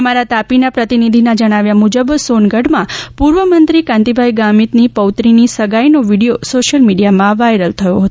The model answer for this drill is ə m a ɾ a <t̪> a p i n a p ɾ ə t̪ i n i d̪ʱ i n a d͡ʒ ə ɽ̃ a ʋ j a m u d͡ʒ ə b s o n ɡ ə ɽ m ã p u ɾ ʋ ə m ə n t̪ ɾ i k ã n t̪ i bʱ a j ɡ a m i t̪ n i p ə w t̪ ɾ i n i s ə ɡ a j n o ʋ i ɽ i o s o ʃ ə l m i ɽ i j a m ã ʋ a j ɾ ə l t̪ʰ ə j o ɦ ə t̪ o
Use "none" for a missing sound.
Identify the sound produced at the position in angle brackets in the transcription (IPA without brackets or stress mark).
t̪